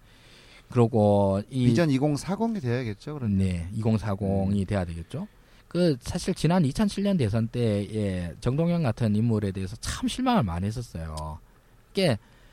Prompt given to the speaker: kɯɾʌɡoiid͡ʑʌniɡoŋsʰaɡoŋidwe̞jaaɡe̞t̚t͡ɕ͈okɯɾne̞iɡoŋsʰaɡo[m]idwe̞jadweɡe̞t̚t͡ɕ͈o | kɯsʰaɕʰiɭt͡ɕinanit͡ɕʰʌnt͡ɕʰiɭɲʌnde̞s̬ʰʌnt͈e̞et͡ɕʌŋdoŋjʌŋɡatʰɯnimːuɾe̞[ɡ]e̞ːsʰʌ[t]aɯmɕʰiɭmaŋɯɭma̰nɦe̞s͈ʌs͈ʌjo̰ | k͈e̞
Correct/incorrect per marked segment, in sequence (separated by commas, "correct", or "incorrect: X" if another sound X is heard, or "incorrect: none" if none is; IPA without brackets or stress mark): incorrect: ŋ, incorrect: d, incorrect: t͡ɕ